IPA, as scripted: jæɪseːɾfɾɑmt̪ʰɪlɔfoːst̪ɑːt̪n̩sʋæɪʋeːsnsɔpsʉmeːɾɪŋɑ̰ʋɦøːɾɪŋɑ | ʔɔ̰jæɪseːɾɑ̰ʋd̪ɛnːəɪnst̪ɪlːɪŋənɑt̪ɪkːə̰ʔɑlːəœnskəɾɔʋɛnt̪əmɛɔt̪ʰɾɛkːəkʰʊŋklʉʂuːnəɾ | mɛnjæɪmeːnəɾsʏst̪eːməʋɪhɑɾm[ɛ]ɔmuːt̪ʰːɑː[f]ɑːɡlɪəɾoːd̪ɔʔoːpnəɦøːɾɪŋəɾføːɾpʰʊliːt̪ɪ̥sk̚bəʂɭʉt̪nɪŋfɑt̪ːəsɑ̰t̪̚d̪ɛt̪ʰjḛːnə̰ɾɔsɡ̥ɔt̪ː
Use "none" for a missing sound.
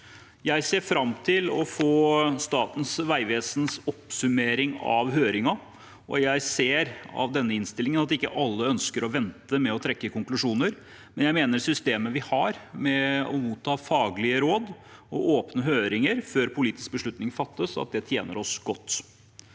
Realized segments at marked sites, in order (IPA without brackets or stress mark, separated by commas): ɛ, f